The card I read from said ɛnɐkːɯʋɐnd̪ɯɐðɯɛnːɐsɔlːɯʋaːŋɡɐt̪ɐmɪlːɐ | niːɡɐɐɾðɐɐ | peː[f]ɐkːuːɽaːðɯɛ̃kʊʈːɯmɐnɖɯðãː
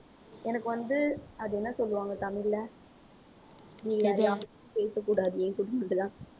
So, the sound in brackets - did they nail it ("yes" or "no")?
no